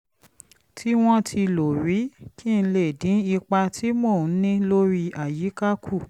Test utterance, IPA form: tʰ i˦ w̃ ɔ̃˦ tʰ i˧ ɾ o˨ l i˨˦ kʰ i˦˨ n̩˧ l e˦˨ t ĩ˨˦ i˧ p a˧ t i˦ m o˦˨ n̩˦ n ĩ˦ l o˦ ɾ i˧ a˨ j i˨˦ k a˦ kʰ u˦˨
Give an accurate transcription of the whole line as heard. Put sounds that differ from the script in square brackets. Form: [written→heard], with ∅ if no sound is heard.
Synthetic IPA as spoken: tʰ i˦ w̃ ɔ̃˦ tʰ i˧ [ɾ→l] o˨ [l→ɾ] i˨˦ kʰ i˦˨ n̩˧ l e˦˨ [t→d] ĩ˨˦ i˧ [p→k͡p] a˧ t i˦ m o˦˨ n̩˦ n ĩ˦ l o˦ ɾ i˧ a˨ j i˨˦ k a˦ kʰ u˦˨

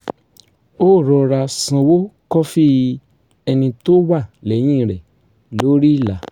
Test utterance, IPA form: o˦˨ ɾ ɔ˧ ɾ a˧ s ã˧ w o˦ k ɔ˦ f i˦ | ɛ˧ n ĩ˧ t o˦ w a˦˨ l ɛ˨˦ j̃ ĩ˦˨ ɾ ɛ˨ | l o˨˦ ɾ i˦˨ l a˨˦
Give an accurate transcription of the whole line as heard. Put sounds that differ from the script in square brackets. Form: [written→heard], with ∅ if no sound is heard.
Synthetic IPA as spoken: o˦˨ ɾ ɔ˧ ɾ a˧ s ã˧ w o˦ k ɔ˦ f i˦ | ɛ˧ n ĩ˧ t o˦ w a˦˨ l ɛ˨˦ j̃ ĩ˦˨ ɾ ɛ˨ | l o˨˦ ɾ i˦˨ l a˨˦

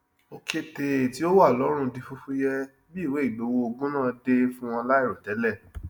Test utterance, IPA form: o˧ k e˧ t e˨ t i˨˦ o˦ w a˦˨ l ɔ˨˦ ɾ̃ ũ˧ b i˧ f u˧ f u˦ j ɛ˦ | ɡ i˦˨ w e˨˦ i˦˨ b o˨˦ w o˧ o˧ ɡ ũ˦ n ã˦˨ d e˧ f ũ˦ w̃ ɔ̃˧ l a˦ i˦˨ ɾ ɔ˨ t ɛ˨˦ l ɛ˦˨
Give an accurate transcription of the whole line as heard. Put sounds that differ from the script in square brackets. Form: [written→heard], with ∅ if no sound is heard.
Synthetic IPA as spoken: o˧ k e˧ t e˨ t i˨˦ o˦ w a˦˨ l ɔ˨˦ ɾ̃ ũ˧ [b→d] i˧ f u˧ f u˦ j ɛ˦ | [ɡ→b] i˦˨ w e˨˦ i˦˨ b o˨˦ w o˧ o˧ ɡ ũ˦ n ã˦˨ d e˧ f ũ˦ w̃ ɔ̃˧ l a˦ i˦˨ ɾ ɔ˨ t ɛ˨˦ l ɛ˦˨

